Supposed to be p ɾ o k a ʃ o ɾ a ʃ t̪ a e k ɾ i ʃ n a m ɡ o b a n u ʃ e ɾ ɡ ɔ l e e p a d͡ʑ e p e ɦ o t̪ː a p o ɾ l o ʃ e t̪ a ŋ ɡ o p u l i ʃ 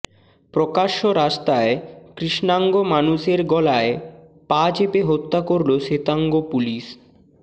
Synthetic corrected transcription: p ɾ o k a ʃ o ɾ a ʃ t̪ a e k ɾ i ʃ n a ŋ ɡ o m a n u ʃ e ɾ ɡ ɔ l a e p a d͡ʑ e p e ɦ o t̪ː a k o ɾ l o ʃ e t̪ a ŋ ɡ o p u l i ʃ